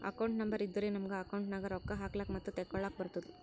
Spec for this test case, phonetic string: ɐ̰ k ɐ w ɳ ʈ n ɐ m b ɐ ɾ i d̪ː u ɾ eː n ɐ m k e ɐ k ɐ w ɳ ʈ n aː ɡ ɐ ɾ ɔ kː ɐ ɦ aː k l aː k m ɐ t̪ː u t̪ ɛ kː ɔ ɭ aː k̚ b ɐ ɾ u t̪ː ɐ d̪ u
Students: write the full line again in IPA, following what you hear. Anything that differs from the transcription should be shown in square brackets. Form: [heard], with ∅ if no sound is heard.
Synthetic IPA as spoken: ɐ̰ k ɐ w ɳ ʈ n ɐ m b ɐ ɾ i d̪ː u ɾ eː n ɐ m [ɡ] e ɐ k ɐ w ɳ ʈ n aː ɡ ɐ ɾ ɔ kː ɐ ɦ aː k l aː k m ɐ t̪ː u t̪ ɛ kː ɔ ɭ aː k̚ b ɐ ɾ u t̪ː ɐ d̪ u